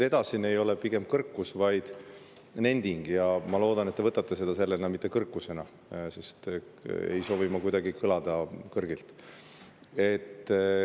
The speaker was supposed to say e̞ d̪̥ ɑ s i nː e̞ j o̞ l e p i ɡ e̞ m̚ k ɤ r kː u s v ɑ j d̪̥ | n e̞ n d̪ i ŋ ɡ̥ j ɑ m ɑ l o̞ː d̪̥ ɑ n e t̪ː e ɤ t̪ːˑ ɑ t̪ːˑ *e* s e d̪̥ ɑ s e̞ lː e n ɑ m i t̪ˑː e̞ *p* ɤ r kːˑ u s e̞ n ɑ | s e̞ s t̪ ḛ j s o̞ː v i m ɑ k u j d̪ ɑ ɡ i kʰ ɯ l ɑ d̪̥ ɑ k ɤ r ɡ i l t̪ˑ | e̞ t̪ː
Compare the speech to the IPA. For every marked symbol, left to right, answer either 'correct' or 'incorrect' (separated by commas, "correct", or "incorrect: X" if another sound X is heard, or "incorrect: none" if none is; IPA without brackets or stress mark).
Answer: correct, incorrect: k